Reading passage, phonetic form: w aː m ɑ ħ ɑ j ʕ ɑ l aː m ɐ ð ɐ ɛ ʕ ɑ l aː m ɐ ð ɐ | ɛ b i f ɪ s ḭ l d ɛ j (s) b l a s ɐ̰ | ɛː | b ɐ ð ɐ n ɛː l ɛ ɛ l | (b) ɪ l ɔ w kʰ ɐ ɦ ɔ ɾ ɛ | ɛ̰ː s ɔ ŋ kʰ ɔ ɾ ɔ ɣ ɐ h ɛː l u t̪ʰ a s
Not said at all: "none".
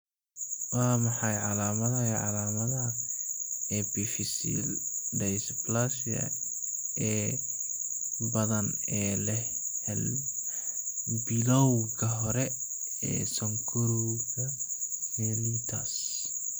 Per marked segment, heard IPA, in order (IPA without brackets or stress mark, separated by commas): s, b